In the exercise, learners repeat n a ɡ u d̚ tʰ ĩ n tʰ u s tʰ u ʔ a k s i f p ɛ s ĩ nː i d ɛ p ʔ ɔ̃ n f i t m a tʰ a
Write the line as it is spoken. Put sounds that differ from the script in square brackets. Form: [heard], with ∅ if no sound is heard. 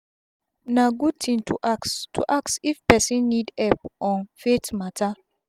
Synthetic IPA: n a ɡ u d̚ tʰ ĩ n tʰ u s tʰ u ʔ a k s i f p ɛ s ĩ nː i d ɛ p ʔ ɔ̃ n f [e] t m a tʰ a